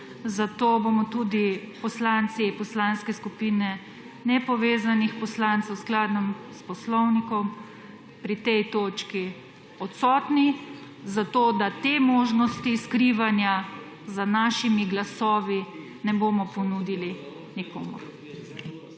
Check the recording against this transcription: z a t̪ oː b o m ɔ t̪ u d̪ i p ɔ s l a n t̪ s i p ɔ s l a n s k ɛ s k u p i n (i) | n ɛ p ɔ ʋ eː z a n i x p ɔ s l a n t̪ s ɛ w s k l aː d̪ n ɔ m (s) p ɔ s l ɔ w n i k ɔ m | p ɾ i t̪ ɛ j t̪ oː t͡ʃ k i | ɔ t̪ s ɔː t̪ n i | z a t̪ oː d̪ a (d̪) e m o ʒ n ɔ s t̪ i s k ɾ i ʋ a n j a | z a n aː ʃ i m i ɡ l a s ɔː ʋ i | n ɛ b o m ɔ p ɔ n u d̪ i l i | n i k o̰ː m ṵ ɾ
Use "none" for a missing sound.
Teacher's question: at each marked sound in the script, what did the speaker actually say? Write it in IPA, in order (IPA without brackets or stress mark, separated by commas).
ɛ, s, t̪